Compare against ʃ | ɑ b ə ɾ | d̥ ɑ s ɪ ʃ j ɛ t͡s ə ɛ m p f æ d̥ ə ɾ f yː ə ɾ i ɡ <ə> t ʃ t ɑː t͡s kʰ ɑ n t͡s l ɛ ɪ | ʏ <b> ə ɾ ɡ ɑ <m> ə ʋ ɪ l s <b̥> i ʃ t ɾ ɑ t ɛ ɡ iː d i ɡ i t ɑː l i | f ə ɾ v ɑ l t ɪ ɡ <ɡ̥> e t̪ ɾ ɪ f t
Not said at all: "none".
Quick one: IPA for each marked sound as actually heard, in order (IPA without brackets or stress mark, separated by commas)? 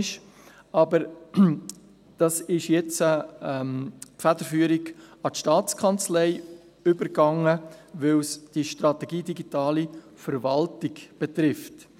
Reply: ɑ, b, ŋ, d̥, b̥